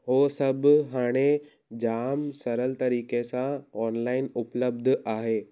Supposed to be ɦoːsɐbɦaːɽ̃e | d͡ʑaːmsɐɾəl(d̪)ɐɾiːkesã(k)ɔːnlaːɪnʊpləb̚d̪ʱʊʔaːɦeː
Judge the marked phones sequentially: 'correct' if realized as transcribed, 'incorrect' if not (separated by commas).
incorrect, incorrect